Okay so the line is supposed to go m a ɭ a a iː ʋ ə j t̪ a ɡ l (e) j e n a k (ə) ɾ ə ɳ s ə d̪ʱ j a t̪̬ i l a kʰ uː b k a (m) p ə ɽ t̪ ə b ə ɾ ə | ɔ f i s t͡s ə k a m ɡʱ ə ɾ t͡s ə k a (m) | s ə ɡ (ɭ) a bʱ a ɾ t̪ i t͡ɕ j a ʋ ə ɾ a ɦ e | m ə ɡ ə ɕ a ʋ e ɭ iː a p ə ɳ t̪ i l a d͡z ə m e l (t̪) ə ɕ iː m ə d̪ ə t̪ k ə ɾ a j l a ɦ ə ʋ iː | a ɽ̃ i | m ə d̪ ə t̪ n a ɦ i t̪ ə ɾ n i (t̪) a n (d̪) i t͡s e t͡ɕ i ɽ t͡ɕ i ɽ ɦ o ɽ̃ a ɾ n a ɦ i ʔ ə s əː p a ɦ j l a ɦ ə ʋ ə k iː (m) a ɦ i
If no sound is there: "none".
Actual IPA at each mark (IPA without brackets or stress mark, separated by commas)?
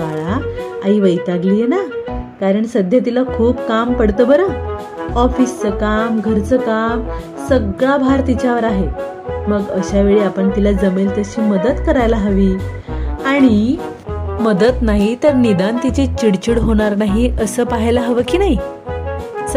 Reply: i, a, m, m, ɭ, t̪, d̪, t̪, n